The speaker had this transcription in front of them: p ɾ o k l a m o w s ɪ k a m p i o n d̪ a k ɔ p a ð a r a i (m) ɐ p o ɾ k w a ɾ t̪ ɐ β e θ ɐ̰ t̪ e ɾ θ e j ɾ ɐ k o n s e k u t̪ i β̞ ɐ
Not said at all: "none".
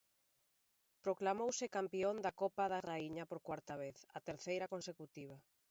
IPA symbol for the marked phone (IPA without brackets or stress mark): ɲ